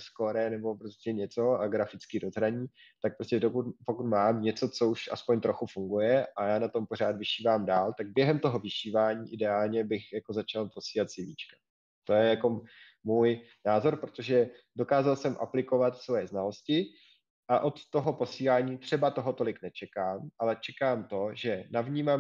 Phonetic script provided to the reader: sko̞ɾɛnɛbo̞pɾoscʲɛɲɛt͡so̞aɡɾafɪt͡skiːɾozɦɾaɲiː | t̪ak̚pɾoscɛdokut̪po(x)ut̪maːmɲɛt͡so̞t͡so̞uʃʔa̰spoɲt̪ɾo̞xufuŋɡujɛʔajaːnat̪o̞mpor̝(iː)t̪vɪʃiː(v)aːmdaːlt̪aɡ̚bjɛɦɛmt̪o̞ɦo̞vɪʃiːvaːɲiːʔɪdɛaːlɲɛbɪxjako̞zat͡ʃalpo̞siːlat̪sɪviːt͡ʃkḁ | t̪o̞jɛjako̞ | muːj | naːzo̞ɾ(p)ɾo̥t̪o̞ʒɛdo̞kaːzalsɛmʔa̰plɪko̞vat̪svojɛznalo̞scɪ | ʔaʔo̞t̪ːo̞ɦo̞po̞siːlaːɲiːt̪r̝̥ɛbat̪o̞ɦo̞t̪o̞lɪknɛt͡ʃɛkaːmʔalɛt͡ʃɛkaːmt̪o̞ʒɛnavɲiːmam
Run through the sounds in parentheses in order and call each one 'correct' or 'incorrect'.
incorrect, incorrect, correct, correct

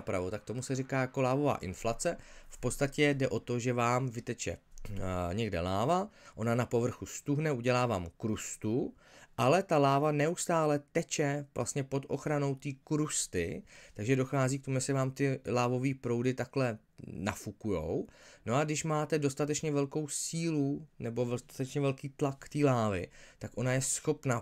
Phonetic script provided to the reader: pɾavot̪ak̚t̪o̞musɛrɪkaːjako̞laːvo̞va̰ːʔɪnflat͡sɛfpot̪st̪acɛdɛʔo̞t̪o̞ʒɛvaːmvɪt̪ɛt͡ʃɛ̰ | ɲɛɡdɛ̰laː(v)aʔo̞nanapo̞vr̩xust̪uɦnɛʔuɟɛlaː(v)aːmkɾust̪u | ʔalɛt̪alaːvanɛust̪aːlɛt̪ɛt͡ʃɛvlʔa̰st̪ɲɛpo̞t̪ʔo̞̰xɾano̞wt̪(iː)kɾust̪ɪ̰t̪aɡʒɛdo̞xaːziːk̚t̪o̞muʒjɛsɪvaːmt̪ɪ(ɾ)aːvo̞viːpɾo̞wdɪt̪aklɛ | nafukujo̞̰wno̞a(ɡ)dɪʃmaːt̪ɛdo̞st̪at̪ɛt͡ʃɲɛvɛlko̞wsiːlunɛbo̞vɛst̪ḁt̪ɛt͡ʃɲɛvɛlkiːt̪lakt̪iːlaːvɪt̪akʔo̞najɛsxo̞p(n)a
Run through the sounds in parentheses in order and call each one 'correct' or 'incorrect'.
correct, correct, correct, incorrect, correct, correct

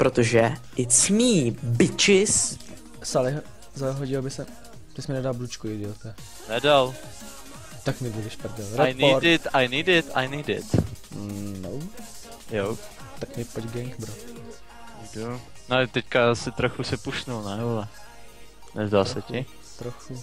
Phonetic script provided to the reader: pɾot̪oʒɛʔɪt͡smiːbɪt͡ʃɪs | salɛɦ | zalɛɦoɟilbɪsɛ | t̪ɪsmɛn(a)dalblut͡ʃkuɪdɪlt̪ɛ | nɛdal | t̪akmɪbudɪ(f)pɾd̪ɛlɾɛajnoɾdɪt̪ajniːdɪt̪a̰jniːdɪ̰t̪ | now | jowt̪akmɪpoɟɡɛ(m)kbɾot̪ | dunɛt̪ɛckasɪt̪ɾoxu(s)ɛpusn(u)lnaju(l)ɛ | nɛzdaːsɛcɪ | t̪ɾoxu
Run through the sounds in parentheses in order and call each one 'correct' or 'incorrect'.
incorrect, incorrect, incorrect, correct, correct, correct

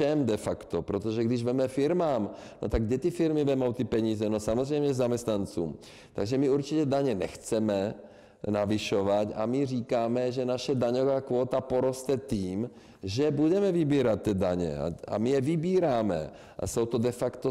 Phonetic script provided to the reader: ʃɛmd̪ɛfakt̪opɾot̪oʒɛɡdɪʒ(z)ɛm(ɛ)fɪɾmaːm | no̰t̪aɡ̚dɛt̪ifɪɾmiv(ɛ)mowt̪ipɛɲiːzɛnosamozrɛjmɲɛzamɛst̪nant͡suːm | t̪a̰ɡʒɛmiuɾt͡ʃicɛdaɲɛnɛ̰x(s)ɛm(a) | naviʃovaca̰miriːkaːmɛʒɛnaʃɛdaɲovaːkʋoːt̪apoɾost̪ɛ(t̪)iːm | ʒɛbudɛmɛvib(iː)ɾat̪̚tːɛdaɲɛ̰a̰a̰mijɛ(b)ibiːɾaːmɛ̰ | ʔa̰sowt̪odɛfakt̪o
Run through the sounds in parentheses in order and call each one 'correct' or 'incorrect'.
incorrect, correct, correct, incorrect, incorrect, correct, correct, incorrect

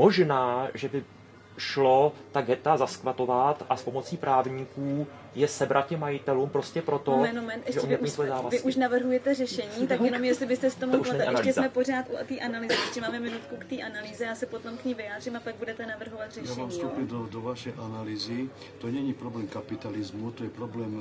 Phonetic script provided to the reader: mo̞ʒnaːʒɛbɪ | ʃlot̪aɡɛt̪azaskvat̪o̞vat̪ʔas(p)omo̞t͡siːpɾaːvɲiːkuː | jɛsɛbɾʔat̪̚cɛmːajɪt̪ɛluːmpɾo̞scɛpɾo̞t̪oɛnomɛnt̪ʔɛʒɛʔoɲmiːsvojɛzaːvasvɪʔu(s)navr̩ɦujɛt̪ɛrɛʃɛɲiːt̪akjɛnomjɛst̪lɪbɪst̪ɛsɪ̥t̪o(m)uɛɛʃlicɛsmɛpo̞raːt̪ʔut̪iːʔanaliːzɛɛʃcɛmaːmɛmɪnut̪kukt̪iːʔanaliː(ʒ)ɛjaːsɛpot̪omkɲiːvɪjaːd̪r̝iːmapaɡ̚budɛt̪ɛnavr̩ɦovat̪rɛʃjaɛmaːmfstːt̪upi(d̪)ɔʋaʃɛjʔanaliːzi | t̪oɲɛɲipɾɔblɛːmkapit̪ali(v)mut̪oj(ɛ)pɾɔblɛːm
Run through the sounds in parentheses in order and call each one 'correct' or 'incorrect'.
correct, incorrect, correct, incorrect, correct, incorrect, correct

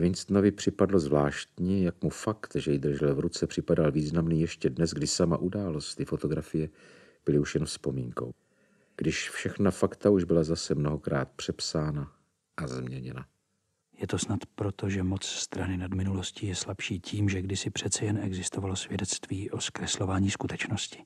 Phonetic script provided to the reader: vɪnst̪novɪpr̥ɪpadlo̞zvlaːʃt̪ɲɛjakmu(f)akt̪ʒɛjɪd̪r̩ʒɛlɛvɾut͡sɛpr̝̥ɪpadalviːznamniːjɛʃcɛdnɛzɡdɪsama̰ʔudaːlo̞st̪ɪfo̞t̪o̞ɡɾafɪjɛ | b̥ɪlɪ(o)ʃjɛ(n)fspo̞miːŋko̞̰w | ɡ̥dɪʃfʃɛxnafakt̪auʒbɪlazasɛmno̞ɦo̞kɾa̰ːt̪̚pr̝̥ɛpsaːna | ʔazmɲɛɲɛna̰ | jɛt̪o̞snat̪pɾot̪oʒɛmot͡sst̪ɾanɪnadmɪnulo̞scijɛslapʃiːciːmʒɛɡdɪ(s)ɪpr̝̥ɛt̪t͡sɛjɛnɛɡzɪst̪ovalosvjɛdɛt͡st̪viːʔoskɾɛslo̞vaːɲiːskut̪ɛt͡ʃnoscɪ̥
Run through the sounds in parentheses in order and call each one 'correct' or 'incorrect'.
correct, incorrect, correct, correct

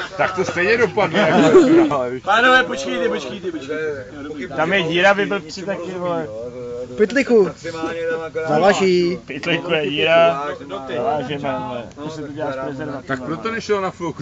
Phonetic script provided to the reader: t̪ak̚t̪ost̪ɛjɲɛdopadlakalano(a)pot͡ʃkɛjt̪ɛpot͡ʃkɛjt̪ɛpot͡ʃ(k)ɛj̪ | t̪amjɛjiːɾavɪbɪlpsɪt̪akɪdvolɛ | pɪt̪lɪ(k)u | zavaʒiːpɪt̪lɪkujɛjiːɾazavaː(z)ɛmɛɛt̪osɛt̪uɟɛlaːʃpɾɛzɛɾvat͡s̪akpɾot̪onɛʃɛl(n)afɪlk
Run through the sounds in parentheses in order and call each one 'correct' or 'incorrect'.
incorrect, correct, correct, incorrect, correct

